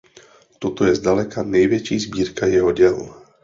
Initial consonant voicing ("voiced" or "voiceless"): voiceless